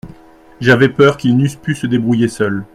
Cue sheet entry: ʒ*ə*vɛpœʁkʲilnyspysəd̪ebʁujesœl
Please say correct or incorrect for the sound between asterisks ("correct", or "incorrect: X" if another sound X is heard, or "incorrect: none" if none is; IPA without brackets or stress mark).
incorrect: a